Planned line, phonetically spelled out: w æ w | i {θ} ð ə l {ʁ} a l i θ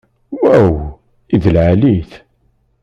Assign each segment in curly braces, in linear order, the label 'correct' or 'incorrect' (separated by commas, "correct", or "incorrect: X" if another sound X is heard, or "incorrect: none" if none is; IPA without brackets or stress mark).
incorrect: none, incorrect: ʕ